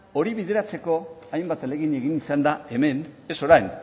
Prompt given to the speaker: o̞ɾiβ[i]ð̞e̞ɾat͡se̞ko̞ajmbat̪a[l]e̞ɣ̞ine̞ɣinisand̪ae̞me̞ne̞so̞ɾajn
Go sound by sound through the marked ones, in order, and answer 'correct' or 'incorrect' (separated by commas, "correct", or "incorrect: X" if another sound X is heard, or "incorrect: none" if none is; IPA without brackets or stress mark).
correct, correct